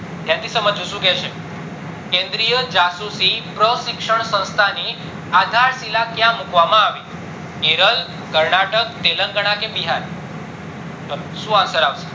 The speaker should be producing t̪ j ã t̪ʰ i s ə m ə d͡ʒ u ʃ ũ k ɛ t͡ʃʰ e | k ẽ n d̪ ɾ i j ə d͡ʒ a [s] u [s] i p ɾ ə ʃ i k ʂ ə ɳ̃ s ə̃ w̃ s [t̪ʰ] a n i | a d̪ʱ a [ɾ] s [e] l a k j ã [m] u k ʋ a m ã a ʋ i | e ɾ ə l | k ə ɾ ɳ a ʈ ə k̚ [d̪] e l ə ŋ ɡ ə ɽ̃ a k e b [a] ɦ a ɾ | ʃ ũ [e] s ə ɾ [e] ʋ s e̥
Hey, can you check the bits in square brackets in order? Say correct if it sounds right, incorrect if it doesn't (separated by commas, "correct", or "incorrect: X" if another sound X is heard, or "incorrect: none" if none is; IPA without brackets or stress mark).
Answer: correct, correct, correct, correct, incorrect: i, correct, incorrect: t̪, incorrect: i, incorrect: a, incorrect: a